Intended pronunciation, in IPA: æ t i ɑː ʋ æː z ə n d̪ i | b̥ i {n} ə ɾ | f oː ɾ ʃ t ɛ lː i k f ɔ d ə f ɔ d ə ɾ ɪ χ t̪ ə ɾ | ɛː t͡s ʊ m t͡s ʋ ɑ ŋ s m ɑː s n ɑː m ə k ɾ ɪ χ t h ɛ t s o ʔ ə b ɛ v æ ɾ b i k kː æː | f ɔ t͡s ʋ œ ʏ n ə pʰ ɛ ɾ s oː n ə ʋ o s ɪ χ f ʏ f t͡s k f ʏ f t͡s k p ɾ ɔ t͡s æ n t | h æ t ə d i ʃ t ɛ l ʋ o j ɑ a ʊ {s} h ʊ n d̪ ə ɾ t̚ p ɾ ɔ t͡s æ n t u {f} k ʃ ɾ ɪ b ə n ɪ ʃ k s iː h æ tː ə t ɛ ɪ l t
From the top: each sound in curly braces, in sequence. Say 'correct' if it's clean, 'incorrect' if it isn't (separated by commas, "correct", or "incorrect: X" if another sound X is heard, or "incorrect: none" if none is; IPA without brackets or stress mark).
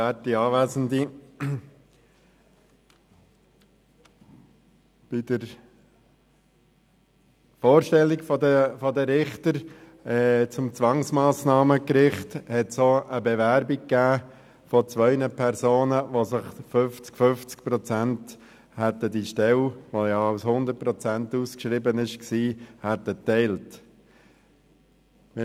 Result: incorrect: d, correct, incorrect: s